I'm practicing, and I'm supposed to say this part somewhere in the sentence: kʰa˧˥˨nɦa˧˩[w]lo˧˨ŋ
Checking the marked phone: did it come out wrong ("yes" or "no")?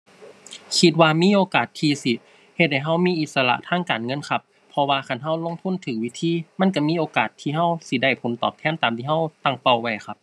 no